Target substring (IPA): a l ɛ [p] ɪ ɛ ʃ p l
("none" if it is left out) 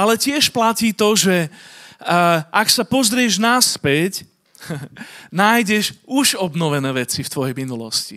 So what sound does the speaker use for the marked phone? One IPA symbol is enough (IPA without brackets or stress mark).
c